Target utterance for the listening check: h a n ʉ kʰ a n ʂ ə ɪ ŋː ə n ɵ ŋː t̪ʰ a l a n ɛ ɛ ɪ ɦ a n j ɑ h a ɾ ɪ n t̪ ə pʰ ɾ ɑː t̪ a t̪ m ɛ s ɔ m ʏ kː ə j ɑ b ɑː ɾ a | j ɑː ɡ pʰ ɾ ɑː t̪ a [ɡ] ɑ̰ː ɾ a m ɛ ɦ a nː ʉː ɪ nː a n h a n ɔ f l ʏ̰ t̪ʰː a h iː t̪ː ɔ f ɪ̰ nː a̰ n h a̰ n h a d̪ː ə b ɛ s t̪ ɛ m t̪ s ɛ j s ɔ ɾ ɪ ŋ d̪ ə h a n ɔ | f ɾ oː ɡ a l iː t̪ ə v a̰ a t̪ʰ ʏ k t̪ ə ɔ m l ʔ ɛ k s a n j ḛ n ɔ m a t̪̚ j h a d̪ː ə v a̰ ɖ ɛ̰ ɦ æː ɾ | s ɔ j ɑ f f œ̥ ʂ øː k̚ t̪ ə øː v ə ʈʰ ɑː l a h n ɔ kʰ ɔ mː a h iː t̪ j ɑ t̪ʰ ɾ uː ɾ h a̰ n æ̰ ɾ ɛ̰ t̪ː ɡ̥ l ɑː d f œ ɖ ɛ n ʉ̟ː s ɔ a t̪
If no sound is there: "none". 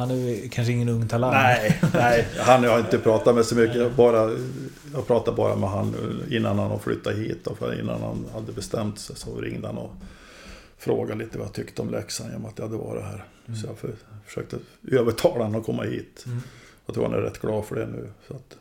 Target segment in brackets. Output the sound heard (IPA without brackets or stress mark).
b